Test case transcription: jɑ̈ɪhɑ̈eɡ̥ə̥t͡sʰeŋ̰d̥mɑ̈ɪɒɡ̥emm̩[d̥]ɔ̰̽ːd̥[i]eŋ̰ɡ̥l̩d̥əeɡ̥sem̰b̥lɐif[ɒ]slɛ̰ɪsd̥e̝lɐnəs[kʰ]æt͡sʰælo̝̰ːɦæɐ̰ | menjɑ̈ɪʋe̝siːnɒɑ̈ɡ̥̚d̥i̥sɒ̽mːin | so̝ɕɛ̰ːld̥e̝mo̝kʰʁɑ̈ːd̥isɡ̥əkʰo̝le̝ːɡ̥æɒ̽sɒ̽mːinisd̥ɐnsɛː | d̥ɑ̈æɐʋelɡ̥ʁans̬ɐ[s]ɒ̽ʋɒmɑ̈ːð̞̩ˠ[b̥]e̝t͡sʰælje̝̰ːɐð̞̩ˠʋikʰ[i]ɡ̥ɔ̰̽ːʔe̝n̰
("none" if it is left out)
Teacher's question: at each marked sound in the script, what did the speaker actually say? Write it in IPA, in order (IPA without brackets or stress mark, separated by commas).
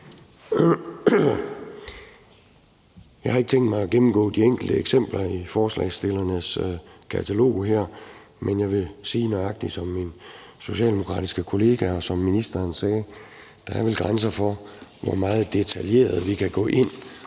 ɡ̥, i, ɒː, kʰ, f, d̥, æ